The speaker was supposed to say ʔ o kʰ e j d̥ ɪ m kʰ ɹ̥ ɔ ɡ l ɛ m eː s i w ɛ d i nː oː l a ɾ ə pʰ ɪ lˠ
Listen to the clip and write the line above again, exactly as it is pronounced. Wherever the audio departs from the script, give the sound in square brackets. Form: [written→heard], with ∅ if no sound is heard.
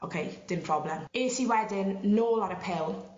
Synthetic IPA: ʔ o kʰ e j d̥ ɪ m [kʰ→pʰ] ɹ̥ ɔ [ɡ→b] l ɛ m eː s i w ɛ d [i→ɪ] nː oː l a ɾ ə pʰ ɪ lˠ